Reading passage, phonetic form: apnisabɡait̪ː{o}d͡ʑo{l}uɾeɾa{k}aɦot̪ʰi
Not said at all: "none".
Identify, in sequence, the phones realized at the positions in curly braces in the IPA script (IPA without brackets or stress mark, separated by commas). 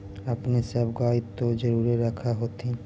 o, ɾ, kʰ